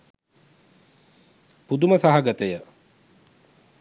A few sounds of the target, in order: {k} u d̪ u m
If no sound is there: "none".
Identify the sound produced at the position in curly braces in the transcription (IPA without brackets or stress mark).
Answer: p